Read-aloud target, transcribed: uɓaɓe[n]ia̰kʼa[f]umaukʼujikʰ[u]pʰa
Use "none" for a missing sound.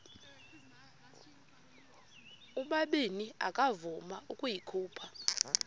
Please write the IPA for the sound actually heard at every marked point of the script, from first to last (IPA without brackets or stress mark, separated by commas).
n, v, uː